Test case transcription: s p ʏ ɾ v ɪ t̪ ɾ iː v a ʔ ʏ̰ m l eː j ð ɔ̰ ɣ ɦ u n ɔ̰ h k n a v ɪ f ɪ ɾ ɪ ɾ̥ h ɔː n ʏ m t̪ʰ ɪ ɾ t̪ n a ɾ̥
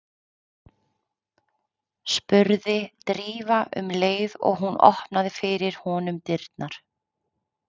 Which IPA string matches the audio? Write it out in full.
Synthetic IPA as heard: s p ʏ ɾ ð ɪ t̪ ɾ iː v a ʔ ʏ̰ m l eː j ð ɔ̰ ɣ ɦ u n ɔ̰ h p n a ð ɪ f ɪ ɾ ɪ ɾ̥ h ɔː n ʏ m t̪ ɪ ɾ t̪ n a ɾ̥